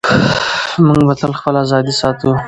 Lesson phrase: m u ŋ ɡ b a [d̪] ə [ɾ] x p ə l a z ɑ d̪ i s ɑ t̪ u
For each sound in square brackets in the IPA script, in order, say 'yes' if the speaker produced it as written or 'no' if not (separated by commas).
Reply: no, no